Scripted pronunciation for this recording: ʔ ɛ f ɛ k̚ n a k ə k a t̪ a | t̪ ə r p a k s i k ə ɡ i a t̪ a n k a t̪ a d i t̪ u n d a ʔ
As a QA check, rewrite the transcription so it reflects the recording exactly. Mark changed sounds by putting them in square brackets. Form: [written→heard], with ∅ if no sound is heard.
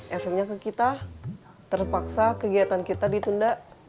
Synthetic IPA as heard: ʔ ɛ f ɛ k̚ [n→ɲ] a k ə k [a→i] t̪ a | t̪ ə r p a k s [i→a] k ə ɡ i a t̪ a n k [a→i] t̪ a d i t̪ u n d a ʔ

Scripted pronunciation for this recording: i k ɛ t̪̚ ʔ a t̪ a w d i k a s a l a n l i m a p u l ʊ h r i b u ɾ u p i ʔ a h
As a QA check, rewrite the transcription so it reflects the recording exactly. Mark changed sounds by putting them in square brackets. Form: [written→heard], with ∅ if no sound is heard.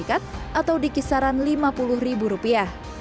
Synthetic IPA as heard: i k [ɛ→a] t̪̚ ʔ a t̪ a w d i k [a→i] s a [l→ɾ] a n l i m a p u l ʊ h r i b u ɾ u p i [ʔ→∅] a h

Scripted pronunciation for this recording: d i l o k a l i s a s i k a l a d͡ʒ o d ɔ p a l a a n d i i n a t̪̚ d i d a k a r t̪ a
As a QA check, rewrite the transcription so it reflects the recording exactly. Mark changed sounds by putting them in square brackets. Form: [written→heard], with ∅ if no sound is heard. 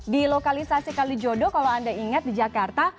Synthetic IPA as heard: d i l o k a l i s a s i k a l [a→i] d͡ʒ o d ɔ [p→k] a l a a n d [i→a] i [n→ŋ] a t̪̚ d i [d→d͡ʒ] a k a r t̪ a

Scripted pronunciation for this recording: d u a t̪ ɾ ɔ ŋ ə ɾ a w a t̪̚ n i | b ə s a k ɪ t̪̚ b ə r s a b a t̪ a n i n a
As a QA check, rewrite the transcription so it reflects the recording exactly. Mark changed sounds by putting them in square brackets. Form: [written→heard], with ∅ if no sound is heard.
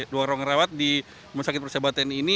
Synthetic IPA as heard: d u a [t̪→∅] ɾ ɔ ŋ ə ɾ a w a t̪̚ [n→d] i | [b→m] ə s a k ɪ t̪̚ [b→p] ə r s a b a t̪ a n i n [a→i]

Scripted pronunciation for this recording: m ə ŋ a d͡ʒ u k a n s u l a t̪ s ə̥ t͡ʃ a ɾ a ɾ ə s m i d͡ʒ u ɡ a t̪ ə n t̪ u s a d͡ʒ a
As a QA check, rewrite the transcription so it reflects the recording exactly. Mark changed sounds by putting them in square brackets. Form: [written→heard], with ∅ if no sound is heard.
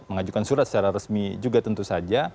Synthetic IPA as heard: m ə ŋ a d͡ʒ u k a n s u [l→ɾ] a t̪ s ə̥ t͡ʃ a ɾ a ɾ ə s m i d͡ʒ u ɡ a t̪ ə n t̪ u s a d͡ʒ a

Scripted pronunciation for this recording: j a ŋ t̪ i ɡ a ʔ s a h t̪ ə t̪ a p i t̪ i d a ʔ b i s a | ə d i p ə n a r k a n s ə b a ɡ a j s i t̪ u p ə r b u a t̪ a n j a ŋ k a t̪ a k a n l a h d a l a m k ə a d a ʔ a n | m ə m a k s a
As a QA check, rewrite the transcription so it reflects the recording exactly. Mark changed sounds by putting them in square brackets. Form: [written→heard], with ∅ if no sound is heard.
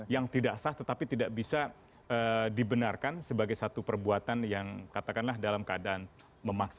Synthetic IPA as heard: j a ŋ t̪ i [ɡ→d] a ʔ s a h t̪ ə t̪ a p i t̪ i d a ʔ b i s a | ə d i [p→b] ə n a r k a n s ə b a ɡ a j s [i→a] t̪ u p ə r b u a t̪ a n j a ŋ k a t̪ a k a n l a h d a l a m k ə a d a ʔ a n | m ə m a k s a

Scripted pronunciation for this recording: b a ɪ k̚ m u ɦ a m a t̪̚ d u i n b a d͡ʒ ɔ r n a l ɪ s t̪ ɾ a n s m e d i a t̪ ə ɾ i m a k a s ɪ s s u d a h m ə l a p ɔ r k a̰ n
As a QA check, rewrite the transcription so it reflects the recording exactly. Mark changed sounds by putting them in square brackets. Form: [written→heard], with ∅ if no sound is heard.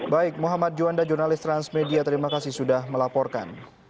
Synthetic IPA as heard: b a ɪ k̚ m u ɦ a m a t̪̚ [d→d͡ʒ] u [i→a] n [b→d] a d͡ʒ [ɔ→u] r n a l ɪ s t̪ ɾ a n s m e d i a t̪ ə ɾ i m a k a s ɪ [s→h] s u d a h m ə l a p ɔ r k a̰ n

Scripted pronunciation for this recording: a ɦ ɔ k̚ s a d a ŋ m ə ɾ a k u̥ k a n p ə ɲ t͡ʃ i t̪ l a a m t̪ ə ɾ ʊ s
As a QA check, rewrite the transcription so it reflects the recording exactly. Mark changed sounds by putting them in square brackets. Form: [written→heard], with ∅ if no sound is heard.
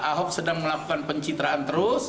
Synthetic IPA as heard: a ɦ ɔ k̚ s [a→ə] d a ŋ m ə [ɾ→l] a k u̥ k a n p ə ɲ t͡ʃ i t̪ [l→ɾ] a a [m→n] t̪ ə ɾ ʊ s

